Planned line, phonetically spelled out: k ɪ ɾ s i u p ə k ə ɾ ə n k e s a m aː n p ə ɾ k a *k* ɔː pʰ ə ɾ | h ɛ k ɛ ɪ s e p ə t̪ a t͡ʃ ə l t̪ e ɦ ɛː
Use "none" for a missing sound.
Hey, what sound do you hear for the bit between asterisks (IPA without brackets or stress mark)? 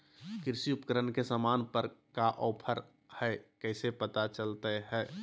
ʔ